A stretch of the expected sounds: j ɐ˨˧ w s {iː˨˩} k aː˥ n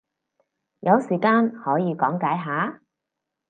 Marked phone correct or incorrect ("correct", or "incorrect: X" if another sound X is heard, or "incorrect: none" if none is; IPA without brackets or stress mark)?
correct